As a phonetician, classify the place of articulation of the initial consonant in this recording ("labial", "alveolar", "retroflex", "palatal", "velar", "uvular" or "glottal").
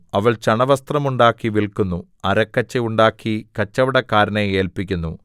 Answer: labial